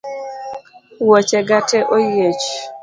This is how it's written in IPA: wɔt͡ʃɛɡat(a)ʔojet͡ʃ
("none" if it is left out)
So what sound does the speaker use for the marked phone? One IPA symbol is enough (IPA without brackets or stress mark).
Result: ɛ